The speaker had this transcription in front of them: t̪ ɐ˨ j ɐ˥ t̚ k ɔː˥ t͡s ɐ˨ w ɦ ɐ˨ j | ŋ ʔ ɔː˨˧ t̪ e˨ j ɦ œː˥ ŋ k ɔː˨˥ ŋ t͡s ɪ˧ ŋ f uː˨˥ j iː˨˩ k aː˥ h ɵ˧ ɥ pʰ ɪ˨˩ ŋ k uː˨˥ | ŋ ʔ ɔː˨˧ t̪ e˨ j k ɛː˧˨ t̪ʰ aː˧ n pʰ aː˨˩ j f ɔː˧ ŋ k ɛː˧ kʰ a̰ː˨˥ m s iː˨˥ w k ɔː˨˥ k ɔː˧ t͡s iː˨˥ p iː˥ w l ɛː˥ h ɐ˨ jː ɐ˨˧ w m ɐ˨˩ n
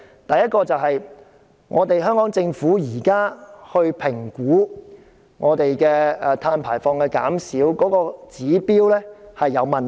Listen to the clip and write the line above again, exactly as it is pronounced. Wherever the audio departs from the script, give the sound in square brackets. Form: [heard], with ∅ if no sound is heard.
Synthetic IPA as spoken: t̪ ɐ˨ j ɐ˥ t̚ k [ɔː˧] t͡s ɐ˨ w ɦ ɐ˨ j | ŋ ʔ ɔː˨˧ t̪ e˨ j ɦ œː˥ ŋ k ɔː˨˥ ŋ t͡s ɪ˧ ŋ f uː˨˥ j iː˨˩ k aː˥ h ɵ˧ ɥ pʰ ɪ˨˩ ŋ k uː˨˥ | ŋ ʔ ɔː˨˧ t̪ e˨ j k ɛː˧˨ t̪ʰ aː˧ n pʰ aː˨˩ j f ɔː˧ ŋ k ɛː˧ [k] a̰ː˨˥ m s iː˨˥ w k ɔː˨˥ k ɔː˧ t͡s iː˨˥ p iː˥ w l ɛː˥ h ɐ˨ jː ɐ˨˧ w m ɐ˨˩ n